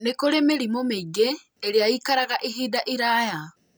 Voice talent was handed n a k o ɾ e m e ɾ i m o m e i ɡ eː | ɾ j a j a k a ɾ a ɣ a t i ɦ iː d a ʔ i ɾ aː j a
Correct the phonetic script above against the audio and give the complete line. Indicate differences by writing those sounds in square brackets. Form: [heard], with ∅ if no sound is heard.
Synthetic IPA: n [e] k o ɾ e m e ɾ i m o m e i ɡ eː | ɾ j a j [i] k a ɾ a ɣ a [ʔ] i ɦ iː d a ʔ i ɾ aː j a